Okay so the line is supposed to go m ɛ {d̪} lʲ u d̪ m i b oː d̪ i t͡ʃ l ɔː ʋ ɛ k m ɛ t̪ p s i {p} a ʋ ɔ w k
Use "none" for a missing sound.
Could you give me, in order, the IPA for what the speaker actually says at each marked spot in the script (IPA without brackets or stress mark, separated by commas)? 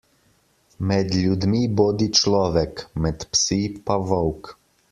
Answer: d̪, p